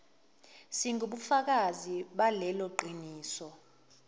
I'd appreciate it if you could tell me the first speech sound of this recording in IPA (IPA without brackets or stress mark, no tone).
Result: s